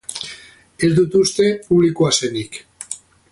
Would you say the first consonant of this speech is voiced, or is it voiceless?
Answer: voiced